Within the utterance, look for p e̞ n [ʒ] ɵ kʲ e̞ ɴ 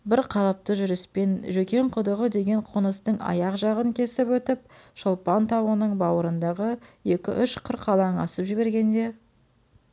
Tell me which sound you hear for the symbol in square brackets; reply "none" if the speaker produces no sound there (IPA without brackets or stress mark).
ʒ